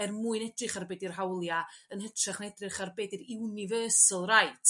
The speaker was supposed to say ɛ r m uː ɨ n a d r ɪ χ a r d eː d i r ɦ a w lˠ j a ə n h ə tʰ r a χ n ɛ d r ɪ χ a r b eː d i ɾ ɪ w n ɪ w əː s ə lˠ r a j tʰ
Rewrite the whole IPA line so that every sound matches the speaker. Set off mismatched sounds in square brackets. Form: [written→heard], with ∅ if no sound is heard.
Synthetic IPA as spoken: ɛ r m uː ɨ n [a→ɛ] d r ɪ χ a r [d→b] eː d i r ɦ a w lˠ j a ə n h ə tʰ r a χ n ɛ d r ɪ χ a r b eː d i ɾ ɪ w n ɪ [w→v] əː s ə lˠ r a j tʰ